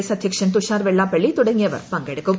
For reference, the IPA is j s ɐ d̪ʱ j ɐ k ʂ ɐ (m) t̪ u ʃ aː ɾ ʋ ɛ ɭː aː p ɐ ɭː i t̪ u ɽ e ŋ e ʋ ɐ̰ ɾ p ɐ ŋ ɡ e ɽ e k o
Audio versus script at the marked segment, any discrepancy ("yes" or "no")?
yes